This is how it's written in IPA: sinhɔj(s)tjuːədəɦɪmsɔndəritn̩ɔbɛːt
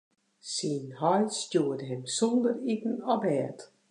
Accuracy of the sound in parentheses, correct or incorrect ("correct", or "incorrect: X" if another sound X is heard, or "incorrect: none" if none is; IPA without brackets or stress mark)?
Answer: correct